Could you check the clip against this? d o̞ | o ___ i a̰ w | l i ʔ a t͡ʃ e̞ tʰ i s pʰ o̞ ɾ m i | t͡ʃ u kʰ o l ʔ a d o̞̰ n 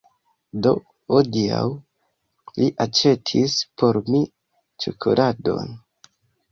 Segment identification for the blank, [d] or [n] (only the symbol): d